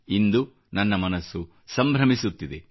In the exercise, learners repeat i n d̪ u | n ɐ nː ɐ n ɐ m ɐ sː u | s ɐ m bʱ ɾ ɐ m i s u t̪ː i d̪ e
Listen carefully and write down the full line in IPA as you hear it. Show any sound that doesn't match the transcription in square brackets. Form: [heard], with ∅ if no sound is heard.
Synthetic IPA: i n d̪ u | n ɐ nː ɐ [m] ɐ [n] ɐ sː u | s ɐ m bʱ ɾ ɐ m i s u t̪ː i d̪ e